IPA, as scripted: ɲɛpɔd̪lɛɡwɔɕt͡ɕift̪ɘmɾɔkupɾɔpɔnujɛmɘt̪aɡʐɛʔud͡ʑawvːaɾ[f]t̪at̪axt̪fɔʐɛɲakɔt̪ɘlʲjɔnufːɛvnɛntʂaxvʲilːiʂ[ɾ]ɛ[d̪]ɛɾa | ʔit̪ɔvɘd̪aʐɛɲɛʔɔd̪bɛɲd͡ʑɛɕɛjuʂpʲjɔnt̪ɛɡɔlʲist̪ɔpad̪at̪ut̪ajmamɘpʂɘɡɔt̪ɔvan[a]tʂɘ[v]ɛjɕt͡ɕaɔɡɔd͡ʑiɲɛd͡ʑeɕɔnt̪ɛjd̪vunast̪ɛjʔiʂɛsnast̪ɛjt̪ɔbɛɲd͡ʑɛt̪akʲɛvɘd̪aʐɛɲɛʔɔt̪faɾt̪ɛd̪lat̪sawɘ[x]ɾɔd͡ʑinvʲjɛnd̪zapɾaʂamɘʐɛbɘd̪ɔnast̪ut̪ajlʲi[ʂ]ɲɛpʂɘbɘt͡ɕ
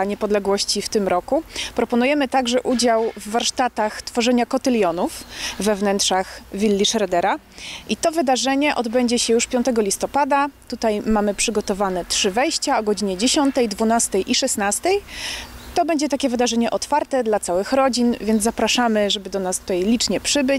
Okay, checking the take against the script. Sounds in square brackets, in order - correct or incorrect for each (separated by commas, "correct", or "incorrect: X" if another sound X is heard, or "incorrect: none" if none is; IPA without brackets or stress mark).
incorrect: ʂ, correct, correct, incorrect: ɛ, correct, correct, incorrect: t͡ʂ